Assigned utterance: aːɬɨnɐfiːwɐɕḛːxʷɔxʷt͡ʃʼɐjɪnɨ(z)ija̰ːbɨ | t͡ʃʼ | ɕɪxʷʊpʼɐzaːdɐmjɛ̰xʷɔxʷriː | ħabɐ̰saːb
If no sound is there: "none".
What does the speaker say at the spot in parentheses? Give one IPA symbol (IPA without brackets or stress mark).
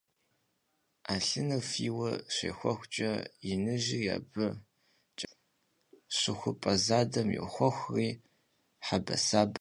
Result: ʒ